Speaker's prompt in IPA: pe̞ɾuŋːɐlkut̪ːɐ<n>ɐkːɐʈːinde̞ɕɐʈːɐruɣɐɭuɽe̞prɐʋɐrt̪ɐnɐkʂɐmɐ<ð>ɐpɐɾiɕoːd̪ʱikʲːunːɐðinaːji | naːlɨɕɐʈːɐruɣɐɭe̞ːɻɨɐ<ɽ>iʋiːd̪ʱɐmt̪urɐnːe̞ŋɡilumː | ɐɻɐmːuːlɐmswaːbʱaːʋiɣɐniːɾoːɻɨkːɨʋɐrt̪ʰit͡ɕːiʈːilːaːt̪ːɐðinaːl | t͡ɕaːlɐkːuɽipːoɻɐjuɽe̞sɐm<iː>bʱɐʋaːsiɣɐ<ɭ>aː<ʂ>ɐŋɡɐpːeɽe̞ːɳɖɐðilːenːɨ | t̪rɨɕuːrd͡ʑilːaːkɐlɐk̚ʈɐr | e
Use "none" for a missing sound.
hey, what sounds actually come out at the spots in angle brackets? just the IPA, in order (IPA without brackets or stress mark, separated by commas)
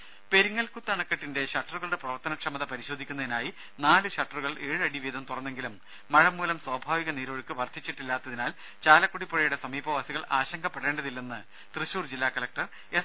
ɳ, ð, ɽ, iː, ɭ, ɕ